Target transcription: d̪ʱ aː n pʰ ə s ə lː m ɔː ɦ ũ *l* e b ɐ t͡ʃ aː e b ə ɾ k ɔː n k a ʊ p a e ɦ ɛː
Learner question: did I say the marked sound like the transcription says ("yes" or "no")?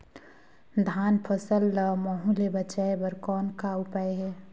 yes